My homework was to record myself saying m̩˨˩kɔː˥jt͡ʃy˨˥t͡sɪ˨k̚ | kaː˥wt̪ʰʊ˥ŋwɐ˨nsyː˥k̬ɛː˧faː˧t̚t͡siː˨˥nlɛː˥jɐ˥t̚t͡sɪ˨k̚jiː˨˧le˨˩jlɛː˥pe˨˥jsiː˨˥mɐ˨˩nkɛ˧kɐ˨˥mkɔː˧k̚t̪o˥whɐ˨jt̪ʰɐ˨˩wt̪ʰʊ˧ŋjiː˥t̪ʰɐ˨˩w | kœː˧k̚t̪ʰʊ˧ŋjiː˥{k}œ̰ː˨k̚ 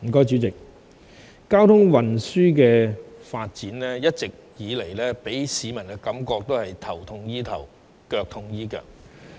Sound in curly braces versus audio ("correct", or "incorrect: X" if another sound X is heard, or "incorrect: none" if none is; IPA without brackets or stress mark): correct